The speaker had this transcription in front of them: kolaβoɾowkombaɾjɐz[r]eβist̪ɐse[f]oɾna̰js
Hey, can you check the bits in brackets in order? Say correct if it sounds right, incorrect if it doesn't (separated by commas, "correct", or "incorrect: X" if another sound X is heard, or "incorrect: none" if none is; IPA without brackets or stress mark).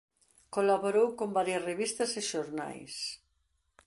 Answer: correct, incorrect: ʃ